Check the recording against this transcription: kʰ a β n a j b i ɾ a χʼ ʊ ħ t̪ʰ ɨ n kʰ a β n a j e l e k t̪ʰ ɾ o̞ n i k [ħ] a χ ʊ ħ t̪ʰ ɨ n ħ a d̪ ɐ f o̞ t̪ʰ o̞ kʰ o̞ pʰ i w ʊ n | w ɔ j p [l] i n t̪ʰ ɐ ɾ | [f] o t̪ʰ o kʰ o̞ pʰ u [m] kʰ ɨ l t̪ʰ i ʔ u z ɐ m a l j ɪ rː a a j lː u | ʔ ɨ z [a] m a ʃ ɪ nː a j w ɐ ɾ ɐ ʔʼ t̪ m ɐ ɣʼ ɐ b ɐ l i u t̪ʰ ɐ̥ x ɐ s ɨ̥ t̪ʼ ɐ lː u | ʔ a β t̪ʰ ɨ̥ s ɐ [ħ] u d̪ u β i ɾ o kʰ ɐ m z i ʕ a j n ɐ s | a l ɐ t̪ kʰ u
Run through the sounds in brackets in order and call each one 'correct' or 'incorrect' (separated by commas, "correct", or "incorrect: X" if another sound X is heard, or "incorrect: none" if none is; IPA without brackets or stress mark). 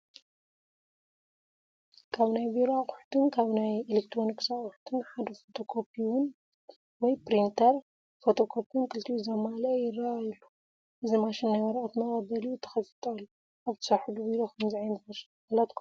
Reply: incorrect: s, incorrect: ɾ, correct, incorrect: n, incorrect: i, correct